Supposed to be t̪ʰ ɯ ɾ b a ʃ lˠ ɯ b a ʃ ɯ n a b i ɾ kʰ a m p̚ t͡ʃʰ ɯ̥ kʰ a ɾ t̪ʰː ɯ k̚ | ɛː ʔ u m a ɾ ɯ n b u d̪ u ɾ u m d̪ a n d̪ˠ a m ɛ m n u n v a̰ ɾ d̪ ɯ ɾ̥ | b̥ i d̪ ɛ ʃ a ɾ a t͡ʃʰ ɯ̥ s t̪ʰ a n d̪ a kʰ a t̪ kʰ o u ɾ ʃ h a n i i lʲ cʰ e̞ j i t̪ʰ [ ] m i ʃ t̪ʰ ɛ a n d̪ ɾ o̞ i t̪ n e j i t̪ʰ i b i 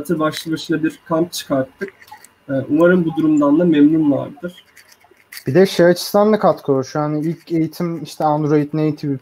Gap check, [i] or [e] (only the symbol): i